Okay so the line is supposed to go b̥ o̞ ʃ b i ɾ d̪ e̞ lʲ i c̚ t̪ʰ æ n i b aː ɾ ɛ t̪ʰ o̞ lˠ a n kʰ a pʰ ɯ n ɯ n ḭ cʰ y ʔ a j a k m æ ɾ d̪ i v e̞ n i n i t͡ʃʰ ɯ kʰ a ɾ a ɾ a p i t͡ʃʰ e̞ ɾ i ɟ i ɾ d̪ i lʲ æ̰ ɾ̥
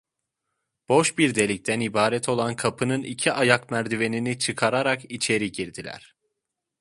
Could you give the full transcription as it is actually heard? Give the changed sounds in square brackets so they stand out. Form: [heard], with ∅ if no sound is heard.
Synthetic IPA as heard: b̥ o̞ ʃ b i ɾ d̪ e̞ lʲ i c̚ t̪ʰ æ n i b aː ɾ ɛ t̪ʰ o̞ lˠ a n kʰ a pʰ ɯ n ɯ n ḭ cʰ [i] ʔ a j a k m æ ɾ d̪ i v e̞ n i n i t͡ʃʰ ɯ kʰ a ɾ a ɾ a [k] i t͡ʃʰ e̞ ɾ i ɟ i ɾ d̪ i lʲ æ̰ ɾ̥